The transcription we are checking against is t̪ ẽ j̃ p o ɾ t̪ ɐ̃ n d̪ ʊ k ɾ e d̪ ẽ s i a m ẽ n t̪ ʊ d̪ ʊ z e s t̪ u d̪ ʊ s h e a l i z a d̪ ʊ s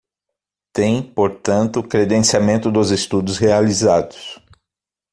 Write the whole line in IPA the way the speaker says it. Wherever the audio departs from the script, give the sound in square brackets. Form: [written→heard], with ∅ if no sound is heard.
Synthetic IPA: t̪ ẽ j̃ p o ɾ t̪ ɐ̃ n [d̪→t̪] ʊ k ɾ e d̪ ẽ s i a m ẽ n t̪ ʊ d̪ ʊ z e s t̪ u d̪ ʊ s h e a l i z a d̪ ʊ s